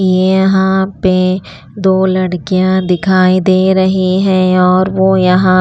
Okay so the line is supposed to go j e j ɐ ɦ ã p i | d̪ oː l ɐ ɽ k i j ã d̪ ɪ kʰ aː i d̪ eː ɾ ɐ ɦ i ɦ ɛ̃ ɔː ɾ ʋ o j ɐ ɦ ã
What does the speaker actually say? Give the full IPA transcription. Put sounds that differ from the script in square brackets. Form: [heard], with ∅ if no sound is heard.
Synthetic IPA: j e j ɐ ɦ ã p [e] | d̪ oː l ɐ ɽ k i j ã d̪ ɪ kʰ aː i d̪ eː ɾ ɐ ɦ i ɦ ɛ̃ ɔː ɾ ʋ o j ɐ ɦ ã